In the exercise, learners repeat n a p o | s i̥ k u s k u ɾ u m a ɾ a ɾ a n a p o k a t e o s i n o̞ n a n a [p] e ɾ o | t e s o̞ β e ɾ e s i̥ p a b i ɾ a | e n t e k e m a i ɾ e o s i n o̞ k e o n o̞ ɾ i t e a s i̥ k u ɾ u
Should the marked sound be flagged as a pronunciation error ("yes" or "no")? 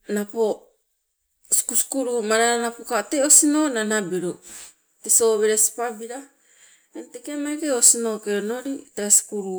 yes